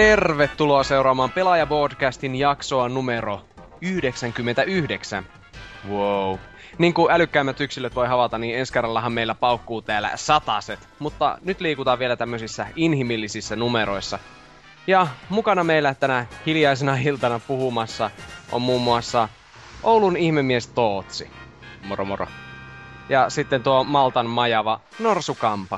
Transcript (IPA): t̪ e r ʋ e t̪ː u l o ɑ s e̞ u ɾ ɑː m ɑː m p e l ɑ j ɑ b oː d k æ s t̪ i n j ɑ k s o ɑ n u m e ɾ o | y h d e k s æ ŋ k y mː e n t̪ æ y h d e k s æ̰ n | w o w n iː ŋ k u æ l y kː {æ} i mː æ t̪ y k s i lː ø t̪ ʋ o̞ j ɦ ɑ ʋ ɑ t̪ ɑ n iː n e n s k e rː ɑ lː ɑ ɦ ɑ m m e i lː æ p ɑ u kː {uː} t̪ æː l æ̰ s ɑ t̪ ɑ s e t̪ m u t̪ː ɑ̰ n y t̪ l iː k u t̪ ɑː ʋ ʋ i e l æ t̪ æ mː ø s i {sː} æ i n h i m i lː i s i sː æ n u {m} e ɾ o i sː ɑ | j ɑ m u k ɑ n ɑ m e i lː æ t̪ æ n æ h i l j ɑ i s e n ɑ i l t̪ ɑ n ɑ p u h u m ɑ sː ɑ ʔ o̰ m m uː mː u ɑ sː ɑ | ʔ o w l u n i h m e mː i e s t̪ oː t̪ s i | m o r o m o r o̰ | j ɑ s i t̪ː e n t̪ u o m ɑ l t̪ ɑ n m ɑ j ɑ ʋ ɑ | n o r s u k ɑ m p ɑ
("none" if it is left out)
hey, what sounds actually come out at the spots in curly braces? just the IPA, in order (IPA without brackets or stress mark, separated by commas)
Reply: æ, uː, sː, m